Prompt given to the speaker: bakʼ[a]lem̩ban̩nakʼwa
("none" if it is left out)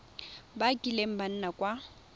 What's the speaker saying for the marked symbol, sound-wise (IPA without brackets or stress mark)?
i